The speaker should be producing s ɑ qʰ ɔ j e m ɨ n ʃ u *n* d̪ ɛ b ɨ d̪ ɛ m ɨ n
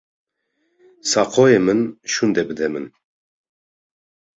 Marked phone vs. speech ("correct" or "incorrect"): correct